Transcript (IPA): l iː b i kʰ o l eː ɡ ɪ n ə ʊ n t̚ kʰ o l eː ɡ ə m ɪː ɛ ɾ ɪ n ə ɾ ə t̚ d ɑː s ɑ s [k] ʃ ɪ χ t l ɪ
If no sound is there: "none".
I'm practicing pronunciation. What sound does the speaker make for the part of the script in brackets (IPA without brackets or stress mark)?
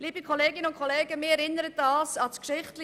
k